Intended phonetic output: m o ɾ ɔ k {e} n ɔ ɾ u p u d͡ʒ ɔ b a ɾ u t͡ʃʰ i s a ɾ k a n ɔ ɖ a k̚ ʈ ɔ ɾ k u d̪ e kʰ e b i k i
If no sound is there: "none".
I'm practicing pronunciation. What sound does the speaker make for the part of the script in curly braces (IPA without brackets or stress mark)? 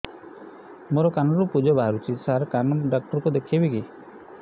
a